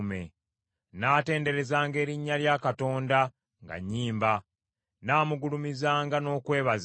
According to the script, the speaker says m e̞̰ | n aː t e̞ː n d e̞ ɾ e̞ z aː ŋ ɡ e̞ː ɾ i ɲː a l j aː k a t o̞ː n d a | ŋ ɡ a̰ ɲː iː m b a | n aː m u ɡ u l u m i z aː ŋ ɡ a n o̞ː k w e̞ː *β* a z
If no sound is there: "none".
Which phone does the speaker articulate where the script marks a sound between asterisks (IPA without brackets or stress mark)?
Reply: β